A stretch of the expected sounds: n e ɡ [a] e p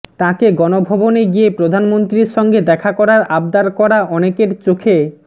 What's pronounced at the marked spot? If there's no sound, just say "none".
i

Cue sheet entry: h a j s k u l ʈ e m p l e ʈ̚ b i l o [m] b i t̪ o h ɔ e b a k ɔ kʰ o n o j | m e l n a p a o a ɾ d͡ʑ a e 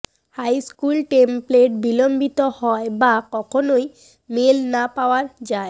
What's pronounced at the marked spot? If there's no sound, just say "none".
m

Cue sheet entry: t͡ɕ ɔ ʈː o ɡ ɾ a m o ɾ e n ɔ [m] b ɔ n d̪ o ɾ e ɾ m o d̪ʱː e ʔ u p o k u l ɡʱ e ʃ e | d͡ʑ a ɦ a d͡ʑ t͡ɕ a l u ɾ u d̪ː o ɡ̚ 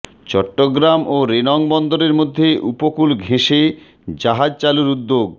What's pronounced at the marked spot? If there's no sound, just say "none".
ŋ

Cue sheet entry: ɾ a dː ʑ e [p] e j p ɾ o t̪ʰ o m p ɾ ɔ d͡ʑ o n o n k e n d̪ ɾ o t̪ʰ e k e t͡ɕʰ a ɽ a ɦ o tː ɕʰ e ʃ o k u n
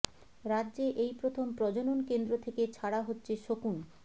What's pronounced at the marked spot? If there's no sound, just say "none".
ʔ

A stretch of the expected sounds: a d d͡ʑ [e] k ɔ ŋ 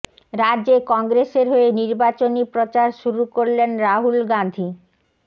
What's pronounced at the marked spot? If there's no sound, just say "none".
e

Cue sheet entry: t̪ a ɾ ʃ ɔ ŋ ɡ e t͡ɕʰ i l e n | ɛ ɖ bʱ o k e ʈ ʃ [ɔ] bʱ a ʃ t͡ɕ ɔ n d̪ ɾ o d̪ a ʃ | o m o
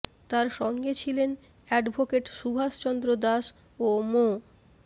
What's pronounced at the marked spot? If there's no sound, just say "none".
u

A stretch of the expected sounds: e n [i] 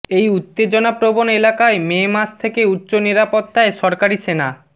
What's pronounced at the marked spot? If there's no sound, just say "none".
a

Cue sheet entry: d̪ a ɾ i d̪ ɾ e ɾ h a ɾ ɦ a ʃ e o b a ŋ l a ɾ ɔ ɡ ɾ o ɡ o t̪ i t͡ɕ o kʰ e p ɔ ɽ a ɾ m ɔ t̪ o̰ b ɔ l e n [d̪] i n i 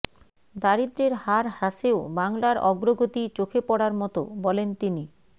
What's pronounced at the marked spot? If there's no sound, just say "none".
t̪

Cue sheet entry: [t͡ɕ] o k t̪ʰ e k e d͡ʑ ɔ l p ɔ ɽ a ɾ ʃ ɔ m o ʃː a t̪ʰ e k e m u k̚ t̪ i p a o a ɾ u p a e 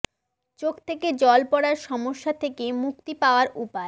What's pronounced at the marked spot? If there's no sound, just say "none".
t͡ɕ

